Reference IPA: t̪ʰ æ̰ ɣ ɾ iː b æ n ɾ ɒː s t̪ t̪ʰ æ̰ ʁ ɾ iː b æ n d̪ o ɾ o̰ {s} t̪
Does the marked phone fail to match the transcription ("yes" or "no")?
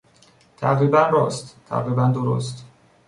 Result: no